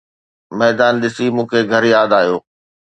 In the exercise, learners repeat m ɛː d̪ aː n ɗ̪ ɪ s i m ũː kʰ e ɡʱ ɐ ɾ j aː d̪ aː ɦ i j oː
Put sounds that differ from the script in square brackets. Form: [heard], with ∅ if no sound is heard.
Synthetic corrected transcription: m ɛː d̪ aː n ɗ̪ ɪ s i m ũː kʰ e ɡʱ ɐ ɾ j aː d̪ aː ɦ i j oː